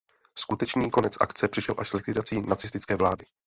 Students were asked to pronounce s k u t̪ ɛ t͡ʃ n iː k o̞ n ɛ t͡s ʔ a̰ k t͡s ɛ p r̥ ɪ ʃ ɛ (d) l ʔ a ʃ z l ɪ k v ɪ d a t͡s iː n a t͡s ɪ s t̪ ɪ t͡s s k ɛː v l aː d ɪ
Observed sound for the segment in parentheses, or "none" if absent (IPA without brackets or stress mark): none